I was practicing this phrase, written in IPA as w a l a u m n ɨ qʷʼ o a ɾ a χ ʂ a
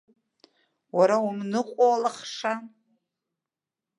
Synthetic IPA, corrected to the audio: w a ɾ a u m n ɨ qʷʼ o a l a χ ʂ a